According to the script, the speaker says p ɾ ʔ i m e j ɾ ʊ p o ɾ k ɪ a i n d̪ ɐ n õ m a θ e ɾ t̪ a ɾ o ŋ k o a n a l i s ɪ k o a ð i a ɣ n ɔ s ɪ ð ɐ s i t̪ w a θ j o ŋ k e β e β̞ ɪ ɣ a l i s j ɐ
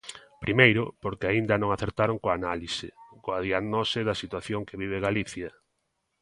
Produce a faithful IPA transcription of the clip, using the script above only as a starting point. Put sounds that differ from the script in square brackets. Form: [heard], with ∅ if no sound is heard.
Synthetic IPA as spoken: p ɾ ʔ i m e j ɾ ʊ p o ɾ k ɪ a i n d̪ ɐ n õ [ŋ] a θ e ɾ t̪ a ɾ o ŋ k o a n a l i s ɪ k o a ð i a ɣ n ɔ s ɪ ð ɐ s i t̪ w a θ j o ŋ k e β [i] β̞ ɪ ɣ a l i [θ] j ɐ